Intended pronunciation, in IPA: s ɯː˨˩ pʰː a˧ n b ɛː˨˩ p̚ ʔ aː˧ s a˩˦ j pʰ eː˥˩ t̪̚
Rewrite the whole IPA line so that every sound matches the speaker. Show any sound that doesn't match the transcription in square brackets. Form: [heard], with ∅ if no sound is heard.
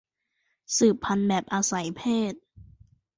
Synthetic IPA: s ɯː˨˩ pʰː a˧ n b ɛː˨˩ p̚ ʔ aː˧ s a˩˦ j pʰ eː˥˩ t̪̚